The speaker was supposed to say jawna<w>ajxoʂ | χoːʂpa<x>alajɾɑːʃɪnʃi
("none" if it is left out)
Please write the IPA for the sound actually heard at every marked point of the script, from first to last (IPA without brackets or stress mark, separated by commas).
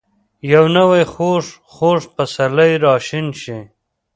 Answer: w, s